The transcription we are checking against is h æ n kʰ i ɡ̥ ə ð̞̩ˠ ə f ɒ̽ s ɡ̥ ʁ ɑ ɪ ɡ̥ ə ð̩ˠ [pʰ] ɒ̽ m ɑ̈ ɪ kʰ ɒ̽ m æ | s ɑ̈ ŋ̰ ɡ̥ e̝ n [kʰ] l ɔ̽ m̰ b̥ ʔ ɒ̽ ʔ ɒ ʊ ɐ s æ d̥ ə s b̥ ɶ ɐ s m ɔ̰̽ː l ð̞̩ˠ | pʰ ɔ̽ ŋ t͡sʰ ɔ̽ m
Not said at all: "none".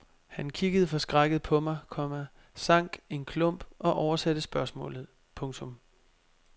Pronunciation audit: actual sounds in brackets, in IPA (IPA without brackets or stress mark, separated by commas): pʰ, kʰ